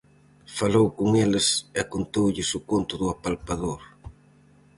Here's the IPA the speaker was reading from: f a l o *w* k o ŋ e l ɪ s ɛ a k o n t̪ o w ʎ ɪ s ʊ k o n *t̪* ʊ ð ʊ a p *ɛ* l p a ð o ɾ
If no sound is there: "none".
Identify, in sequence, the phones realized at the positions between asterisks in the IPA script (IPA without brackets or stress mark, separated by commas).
w, t̪, a